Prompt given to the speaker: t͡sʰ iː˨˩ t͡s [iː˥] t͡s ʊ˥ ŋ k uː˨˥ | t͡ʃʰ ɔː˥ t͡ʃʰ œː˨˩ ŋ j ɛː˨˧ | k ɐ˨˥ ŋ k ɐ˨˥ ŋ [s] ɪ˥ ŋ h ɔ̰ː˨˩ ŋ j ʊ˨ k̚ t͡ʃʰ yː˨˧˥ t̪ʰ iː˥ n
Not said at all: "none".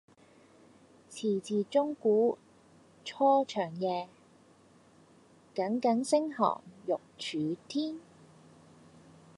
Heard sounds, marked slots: iː˨, s

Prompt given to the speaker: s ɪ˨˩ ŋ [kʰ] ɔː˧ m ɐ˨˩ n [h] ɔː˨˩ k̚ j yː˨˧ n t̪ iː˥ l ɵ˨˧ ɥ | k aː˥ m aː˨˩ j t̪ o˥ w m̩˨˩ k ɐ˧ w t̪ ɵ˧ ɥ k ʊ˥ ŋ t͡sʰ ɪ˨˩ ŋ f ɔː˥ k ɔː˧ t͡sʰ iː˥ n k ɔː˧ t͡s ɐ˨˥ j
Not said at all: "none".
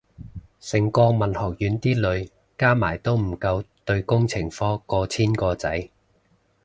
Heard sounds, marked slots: k, h

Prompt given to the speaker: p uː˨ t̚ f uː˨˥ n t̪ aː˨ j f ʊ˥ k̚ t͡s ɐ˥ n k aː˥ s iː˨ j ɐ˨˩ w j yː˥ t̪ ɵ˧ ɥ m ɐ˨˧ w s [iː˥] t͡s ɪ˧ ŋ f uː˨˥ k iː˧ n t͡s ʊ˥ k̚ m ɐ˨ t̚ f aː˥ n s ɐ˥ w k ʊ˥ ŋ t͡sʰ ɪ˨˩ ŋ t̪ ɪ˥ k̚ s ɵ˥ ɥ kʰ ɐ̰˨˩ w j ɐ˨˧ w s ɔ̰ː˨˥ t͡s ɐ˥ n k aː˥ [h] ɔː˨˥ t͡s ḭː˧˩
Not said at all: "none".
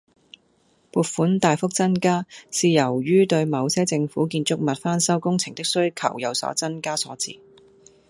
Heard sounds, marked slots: ɛː˥, s

